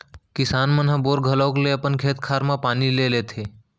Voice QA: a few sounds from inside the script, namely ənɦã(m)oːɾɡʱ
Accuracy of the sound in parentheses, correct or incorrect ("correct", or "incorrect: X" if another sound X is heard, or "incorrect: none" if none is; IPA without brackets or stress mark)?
incorrect: b